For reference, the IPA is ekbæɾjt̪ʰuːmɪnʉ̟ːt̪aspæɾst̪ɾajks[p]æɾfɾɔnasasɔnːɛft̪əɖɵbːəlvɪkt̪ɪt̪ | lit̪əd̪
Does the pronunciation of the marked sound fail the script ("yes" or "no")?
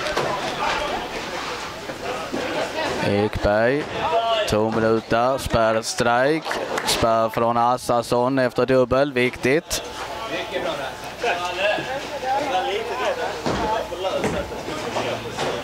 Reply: no